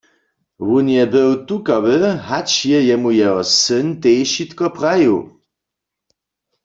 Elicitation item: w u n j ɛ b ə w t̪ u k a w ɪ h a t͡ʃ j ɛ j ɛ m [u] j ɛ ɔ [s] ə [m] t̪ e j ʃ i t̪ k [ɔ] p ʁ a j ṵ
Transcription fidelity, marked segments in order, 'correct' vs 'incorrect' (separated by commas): correct, correct, incorrect, correct